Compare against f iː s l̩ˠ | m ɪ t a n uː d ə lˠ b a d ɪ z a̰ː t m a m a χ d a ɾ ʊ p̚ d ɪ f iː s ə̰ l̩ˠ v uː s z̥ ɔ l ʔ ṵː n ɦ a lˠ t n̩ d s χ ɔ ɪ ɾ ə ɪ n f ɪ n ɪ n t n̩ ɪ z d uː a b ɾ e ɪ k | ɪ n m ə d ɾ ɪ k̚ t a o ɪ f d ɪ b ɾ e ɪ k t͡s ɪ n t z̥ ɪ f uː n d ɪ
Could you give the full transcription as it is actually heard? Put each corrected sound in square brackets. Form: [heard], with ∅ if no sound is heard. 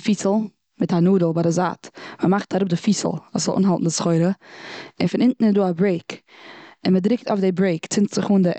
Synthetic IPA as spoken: f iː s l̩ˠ | m ɪ t a n uː d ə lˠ b a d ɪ z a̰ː t m [ə] m a χ [t] a ɾ ʊ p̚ d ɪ f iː s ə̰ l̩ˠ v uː s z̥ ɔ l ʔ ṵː n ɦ a lˠ t n̩ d s χ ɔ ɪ ɾ ə ɪ n f ɪ n ɪ n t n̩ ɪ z d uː a b ɾ e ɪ k | ɪ n m ə d ɾ ɪ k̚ t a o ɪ f d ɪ b ɾ e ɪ k t͡s ɪ n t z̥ ɪ [χ] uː n d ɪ